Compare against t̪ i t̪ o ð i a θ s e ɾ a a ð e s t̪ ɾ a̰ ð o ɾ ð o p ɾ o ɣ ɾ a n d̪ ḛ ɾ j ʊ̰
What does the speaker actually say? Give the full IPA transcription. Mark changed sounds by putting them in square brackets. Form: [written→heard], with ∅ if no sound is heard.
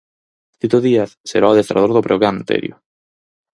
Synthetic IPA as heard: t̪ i t̪ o ð i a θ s e ɾ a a ð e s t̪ ɾ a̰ ð o ɾ ð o p ɾ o ɣ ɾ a n [d̪→t̪] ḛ ɾ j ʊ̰